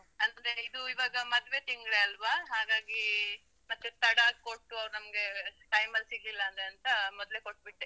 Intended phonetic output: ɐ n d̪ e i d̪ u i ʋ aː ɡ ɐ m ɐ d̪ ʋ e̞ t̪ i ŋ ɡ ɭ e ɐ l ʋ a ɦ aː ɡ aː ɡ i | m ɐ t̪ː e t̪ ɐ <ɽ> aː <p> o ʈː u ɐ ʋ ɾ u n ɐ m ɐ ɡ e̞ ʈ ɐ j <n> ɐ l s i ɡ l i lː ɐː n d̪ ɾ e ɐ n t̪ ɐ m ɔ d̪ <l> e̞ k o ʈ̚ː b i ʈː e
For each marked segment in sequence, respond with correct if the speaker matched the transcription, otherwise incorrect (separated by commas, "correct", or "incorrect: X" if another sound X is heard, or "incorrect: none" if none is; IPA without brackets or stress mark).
correct, incorrect: k, incorrect: m, correct